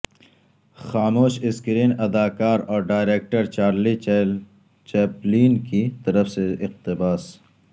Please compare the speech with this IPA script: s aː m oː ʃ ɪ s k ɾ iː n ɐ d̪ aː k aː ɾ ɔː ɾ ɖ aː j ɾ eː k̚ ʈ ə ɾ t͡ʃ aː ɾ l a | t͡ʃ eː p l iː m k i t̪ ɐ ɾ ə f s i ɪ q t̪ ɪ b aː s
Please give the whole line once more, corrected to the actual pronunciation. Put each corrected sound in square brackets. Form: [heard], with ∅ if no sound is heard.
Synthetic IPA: [x] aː m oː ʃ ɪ s k ɾ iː n ɐ d̪ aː k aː ɾ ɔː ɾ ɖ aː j ɾ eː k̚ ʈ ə ɾ t͡ʃ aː ɾ l [i] | t͡ʃ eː p l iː [n] k i t̪ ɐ ɾ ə f s [e] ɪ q t̪ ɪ b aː s